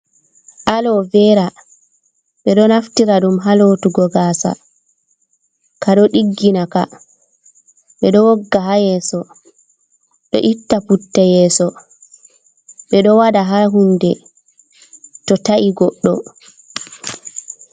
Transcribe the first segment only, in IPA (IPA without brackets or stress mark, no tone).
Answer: ʔ